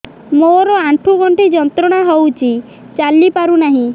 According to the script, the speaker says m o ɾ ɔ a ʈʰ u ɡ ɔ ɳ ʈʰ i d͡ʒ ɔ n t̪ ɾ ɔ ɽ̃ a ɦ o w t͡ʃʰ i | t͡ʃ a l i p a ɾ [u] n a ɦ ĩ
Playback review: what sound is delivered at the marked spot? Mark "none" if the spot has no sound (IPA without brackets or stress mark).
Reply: u